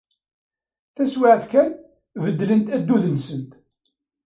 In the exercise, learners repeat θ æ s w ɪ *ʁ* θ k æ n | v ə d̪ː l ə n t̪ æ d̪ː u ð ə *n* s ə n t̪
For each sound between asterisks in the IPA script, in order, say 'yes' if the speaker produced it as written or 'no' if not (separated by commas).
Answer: no, yes